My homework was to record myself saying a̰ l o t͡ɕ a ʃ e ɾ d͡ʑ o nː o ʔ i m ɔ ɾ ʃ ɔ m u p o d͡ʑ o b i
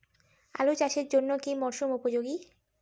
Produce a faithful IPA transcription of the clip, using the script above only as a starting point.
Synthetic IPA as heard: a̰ l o t͡ɕ a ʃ e ɾ d͡ʑ o nː o k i m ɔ ɾ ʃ u m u p o d͡ʑ o ɡ i